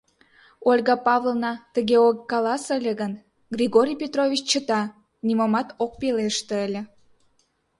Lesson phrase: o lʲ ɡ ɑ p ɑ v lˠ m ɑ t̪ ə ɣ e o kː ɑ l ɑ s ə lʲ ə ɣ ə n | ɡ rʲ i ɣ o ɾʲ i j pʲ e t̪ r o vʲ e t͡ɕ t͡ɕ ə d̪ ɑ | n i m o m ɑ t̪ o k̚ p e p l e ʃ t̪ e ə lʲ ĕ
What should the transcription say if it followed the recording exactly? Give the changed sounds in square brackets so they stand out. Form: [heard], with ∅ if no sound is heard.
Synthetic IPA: o lʲ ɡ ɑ p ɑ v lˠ [n] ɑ t̪ ə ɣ e o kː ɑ l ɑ s ə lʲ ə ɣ ə n | ɡ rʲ i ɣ o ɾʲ i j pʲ e t̪ r o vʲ [i] t͡ɕ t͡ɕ ə [t̪] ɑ | n i m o m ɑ t̪ o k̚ p e [∅] l e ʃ t̪ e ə lʲ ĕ